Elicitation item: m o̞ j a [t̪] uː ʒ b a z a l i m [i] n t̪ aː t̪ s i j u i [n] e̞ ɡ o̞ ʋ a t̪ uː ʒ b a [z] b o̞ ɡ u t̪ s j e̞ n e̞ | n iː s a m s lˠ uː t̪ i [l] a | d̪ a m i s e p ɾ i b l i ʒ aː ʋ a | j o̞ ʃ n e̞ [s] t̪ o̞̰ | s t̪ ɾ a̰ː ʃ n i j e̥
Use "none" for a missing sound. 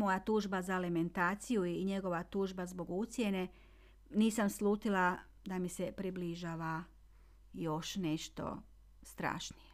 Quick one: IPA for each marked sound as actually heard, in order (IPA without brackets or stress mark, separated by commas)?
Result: t̪, e, ɲ, z, l, ʃ